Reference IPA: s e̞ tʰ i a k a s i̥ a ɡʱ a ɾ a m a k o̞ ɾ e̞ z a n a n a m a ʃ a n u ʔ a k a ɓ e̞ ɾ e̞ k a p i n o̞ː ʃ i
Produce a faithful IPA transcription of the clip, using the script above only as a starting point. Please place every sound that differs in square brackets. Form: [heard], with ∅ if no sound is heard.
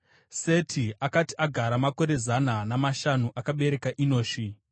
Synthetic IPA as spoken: s e̞ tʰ i a k a [t] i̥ a ɡʱ a ɾ a m a k o̞ ɾ e̞ z a n a n a m a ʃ a n u ʔ a k a ɓ e̞ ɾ e̞ k a [ʔ] i n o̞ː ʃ i

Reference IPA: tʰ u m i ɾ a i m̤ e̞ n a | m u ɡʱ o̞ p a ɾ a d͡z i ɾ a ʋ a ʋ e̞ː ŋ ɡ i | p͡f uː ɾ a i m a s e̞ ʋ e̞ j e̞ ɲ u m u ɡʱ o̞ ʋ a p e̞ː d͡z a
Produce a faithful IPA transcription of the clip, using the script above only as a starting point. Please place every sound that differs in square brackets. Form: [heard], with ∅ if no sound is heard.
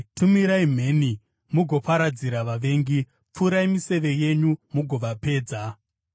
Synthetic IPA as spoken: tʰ u m i ɾ a i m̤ e̞ n [i] | m u ɡʱ o̞ p a ɾ a d͡z i ɾ a ʋ a ʋ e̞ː ŋ ɡ i | p͡f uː ɾ a i m [i] s e̞ ʋ e̞ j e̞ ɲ u m u ɡʱ o̞ ʋ a p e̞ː d͡z a

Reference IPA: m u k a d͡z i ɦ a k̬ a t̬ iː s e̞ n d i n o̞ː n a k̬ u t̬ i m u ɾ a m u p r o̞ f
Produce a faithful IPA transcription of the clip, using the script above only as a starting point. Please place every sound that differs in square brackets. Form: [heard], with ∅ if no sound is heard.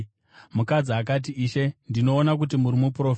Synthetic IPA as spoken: m u k a d͡z i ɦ a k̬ a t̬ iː [ʃ] e̞ n d i n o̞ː n a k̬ u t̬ i m u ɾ [i] m u p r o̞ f

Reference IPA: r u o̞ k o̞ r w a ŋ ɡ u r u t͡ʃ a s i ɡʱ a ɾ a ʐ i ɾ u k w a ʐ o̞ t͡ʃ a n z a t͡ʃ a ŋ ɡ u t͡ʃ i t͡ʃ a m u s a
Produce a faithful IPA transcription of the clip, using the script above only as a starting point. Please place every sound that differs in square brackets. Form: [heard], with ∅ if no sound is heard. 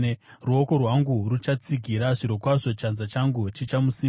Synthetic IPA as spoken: r u o̞ k o̞ r w a ŋ ɡ u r u t͡ʃ a [t͡s] i ɡʱ [i] ɾ a ʐ i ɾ [o] k w a ʐ o̞ t͡ʃ a n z a t͡ʃ a ŋ ɡ u t͡ʃ i t͡ʃ a m u s [i]

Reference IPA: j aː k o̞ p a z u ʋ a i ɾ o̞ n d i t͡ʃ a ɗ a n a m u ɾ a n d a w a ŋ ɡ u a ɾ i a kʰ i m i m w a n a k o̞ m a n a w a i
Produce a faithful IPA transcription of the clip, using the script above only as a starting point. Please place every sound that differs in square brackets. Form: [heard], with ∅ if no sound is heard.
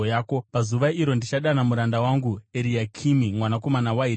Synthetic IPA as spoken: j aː k o̞ p a z u ʋ a i ɾ o̞ n d i t͡ʃ a ɗ a n a m u ɾ a n d a w a ŋ ɡ u [e] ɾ i a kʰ i m i m w a n a k o̞ m a n a w a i

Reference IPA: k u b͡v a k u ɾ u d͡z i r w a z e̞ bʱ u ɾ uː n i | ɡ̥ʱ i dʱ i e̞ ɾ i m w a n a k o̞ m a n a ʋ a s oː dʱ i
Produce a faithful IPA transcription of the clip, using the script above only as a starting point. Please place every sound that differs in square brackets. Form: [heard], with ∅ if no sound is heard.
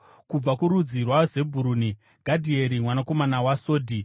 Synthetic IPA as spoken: k u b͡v a k u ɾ u d͡z i r w a z e̞ bʱ u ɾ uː n i | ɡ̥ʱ [a] dʱ i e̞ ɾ i m w a n a k o̞ m a n a [w] a s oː dʱ i

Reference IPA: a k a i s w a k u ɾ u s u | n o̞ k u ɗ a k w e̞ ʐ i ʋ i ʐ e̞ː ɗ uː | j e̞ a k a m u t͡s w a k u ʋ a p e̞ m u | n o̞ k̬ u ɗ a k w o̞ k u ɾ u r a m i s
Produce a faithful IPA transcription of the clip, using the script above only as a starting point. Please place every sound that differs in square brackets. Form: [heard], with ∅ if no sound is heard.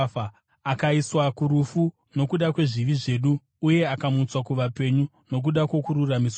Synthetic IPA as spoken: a k a i s w a k u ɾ u [f] u | n o̞ k u ɗ a k w e̞ ʐ i ʋ i ʐ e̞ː ɗ uː | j e̞ a k a m u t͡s w a k u ʋ a p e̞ [ɲ] u | n o̞ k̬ u ɗ a k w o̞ k u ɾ u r a m i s

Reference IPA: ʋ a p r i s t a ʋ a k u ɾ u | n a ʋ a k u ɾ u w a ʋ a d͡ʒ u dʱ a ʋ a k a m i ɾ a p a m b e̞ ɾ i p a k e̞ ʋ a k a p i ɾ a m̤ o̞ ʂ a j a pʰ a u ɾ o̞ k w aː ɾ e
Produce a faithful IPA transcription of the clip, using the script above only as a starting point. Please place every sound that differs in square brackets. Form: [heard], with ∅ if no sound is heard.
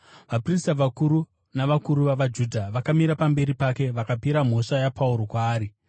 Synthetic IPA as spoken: ʋ a p r i s t a ʋ a k u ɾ u | n a ʋ a k u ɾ u [ʋ] a ʋ a d͡ʒ u dʱ a ʋ a k a m i ɾ a p a m b e̞ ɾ i p a k e̞ ʋ a k a p i ɾ a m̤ o̞ ʂ a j a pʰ a u ɾ o̞ k w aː ɾ [i]

